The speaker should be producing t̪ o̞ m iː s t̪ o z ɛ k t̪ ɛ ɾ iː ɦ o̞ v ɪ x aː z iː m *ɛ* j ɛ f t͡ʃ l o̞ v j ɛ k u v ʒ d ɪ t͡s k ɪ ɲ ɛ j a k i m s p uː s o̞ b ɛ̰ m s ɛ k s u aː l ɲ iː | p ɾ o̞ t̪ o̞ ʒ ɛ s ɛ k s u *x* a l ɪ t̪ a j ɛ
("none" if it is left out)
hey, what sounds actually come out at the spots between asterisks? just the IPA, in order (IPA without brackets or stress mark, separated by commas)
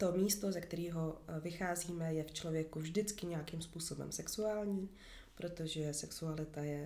ɛ, none